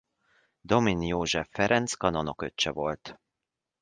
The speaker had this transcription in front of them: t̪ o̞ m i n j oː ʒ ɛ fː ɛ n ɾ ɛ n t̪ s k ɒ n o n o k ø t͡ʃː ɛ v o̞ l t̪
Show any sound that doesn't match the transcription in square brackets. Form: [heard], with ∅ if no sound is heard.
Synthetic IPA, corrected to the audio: [d̪] o̞ m i n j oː ʒ ɛ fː ɛ [∅] ɾ ɛ n t̪ s k ɒ n o n o k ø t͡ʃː ɛ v o̞ l t̪